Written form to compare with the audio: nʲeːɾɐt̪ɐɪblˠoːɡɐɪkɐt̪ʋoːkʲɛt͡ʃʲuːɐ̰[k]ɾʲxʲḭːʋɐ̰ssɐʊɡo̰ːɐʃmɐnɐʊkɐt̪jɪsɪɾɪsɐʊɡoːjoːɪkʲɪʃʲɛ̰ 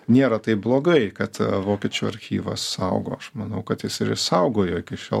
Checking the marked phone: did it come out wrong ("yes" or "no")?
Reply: yes